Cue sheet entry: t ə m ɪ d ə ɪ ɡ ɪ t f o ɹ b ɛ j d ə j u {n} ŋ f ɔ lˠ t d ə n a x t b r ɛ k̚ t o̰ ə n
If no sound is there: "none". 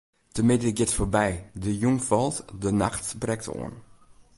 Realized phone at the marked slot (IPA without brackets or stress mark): none